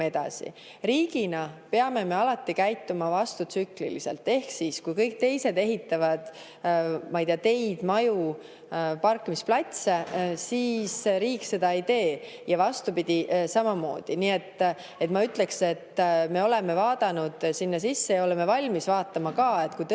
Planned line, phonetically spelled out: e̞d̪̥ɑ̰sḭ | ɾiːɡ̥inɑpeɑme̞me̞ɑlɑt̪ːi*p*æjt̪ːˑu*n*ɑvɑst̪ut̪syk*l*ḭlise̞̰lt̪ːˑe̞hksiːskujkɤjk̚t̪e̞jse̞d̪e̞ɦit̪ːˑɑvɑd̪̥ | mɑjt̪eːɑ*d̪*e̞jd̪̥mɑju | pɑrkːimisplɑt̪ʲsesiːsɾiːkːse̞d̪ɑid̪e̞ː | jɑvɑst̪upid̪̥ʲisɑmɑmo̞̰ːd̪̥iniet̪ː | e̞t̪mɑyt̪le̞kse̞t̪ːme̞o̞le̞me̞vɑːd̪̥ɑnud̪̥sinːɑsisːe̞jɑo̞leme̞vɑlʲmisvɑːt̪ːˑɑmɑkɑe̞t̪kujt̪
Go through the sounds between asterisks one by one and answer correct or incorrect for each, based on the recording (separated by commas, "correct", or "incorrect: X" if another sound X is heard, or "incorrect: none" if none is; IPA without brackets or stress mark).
incorrect: k, incorrect: m, correct, incorrect: t̪